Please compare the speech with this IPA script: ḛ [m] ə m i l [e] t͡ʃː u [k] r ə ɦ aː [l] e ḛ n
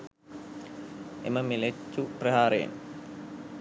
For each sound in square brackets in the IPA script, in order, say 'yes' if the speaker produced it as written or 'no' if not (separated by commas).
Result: yes, yes, no, no